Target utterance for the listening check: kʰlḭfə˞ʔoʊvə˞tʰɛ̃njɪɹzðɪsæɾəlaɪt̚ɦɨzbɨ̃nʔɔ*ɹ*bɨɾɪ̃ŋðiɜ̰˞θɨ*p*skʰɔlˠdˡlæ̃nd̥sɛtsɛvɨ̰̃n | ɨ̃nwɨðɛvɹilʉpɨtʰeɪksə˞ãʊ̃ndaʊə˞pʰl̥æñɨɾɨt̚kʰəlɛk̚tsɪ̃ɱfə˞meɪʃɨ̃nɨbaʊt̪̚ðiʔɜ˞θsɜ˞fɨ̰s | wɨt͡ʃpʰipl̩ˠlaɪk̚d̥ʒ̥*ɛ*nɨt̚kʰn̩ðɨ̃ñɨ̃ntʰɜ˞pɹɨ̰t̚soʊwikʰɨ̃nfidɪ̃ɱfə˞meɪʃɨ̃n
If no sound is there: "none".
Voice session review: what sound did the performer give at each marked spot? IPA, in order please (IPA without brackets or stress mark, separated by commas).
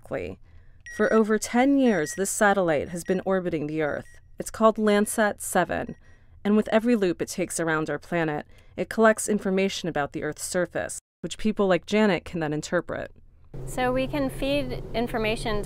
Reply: ɹ, t, æ